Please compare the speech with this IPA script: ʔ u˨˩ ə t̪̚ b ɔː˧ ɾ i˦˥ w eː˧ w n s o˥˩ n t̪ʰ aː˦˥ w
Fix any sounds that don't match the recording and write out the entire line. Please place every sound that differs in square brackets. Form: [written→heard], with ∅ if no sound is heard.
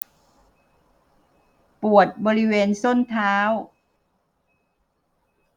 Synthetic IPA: [ʔ→p] u˨˩ ə t̪̚ b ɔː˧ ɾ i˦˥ w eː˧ [w→∅] n s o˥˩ n t̪ʰ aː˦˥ w